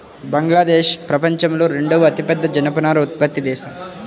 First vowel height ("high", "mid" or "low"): low